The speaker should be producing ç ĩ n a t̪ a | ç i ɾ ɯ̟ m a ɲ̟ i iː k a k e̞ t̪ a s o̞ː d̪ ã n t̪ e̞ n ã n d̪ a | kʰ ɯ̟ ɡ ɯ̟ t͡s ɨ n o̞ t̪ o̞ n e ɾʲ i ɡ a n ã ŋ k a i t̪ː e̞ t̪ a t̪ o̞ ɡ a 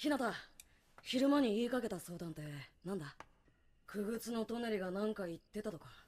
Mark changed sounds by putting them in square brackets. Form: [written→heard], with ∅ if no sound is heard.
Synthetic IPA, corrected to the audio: ç [ĩ→i] n a t̪ a | ç i ɾ ɯ̟ m a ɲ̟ i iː k a k e̞ t̪ a s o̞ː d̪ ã n t̪ e̞ n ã n d̪ a | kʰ ɯ̟ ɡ ɯ̟ t͡s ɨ n o̞ t̪ o̞ n e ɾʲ i ɡ a n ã ŋ k a i t̪ː e̞ t̪ a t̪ o̞ [ɡ→k] a